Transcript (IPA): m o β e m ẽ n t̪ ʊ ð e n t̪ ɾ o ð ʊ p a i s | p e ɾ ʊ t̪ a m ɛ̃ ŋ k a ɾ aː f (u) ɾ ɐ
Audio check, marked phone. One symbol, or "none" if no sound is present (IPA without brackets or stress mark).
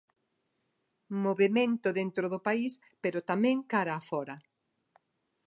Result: ɔ